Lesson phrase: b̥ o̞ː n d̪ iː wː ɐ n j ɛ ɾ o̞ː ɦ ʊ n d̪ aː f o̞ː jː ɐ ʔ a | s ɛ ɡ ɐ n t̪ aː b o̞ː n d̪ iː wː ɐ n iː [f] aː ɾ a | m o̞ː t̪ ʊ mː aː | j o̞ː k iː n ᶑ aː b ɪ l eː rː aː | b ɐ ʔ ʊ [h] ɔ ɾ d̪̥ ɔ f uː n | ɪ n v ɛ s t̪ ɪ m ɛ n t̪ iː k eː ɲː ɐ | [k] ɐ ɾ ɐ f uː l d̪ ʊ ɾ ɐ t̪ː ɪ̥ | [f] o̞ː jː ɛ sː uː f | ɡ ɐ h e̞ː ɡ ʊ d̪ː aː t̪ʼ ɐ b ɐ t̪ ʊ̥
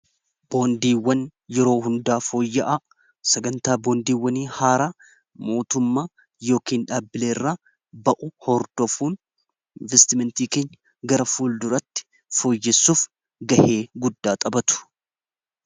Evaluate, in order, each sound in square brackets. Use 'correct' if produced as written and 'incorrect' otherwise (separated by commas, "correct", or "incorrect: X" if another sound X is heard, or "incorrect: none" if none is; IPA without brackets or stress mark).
incorrect: h, correct, incorrect: ɡ, correct